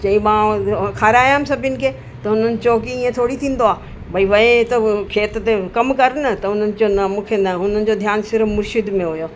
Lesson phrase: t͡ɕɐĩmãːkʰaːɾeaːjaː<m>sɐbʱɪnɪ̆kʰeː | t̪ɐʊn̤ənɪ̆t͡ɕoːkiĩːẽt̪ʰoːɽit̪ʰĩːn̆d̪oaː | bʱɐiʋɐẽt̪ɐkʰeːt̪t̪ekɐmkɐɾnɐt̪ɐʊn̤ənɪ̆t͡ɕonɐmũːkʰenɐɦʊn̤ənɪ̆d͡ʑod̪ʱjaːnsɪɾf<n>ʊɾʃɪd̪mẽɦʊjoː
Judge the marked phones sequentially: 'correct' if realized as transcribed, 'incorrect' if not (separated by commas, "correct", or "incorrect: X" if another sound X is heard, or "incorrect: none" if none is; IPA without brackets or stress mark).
correct, incorrect: m